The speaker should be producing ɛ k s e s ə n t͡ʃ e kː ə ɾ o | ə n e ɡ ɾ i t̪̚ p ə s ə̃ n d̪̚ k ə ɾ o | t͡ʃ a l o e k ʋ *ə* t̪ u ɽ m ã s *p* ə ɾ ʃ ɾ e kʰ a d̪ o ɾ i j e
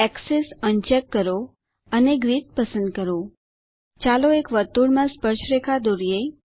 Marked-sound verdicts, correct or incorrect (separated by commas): correct, correct